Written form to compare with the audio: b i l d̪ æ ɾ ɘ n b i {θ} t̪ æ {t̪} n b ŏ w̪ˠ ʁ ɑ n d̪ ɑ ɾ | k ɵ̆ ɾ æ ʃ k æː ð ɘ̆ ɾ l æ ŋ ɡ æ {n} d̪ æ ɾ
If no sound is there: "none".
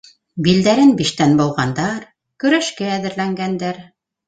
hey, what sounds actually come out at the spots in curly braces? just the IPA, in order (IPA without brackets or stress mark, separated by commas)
ʃ, none, n